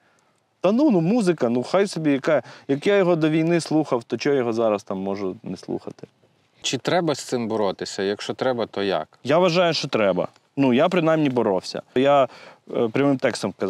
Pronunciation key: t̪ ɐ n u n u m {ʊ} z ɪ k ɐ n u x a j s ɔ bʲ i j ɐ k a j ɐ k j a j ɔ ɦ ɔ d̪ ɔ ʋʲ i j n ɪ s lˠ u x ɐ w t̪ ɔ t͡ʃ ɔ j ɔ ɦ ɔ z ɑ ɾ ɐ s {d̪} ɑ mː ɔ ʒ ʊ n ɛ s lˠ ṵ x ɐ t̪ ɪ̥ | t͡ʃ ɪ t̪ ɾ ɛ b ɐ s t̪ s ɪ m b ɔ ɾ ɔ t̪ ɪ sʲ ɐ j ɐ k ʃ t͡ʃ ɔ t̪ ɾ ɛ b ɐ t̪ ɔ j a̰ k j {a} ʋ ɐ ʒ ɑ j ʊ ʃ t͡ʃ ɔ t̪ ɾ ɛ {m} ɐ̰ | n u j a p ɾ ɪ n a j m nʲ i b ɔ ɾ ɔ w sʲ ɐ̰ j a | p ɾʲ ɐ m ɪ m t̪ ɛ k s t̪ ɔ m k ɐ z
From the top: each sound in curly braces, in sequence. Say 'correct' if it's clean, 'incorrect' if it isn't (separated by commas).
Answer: incorrect, incorrect, correct, incorrect